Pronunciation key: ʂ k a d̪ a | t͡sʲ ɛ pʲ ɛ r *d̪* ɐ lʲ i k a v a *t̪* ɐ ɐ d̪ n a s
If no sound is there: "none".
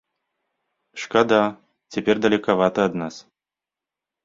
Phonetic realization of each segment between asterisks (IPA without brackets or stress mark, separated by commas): d̪, t̪